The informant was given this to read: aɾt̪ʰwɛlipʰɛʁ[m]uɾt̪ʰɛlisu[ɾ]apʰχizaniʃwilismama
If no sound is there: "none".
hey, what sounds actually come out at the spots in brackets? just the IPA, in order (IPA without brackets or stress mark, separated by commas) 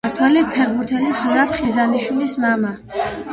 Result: b, ɾ